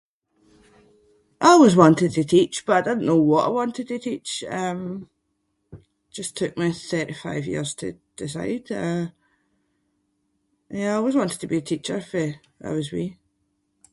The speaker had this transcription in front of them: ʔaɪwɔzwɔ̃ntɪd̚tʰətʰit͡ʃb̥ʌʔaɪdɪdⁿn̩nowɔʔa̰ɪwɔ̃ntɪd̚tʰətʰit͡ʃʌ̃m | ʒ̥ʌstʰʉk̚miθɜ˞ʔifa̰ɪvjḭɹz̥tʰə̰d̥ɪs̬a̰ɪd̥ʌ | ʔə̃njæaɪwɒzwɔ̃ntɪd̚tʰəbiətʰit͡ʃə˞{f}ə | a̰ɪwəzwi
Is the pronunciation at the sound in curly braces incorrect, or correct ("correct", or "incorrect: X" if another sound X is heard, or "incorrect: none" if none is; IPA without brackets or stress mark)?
correct